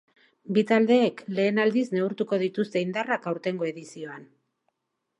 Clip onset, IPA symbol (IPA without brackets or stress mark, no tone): b